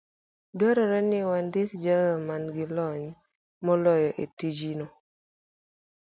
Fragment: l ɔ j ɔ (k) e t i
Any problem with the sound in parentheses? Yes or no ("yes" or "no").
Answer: yes